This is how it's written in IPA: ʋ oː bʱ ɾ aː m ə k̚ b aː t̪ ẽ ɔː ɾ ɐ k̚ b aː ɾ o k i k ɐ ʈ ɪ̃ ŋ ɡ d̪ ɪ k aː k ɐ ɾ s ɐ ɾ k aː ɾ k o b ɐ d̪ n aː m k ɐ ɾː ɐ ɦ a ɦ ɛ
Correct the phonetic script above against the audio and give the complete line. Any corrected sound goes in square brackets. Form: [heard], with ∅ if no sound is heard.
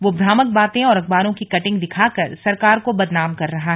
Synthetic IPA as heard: ʋ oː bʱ ɾ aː m ə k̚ b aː t̪ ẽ ɔː ɾ ɐ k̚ b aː ɾ [õ] k i k ɐ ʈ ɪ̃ ŋ ɡ d̪ ɪ [kʰ] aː k ɐ ɾ s ɐ ɾ k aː ɾ k o b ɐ d̪ n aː m k ɐ ɾː ɐ ɦ a ɦ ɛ